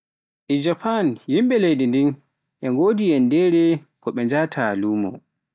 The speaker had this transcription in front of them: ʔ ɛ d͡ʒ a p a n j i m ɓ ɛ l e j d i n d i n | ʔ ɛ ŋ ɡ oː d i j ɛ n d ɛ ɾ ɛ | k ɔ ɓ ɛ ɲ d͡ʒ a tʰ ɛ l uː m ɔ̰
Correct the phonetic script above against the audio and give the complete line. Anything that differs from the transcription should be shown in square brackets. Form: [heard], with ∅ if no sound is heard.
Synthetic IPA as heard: ʔ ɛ d͡ʒ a p a n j i m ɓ ɛ l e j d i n d i n | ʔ ɛ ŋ ɡ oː d i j ɛ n d ɛ ɾ ɛ | k ɔ ɓ ɛ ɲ d͡ʒ a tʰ [a] l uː m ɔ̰